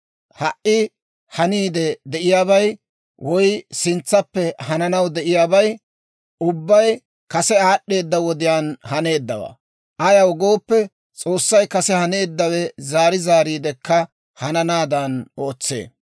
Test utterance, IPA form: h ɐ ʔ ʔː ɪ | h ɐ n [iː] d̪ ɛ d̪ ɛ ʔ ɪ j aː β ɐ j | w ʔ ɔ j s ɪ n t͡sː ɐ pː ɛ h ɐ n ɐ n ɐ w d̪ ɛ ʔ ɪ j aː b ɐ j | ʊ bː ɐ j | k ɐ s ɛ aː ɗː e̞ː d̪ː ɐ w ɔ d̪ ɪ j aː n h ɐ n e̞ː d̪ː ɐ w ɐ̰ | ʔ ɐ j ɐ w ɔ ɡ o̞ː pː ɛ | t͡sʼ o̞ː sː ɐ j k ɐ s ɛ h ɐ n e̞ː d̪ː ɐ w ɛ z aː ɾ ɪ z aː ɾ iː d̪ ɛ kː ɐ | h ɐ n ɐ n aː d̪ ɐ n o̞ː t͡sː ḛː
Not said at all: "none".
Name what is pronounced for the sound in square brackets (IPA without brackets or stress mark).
iː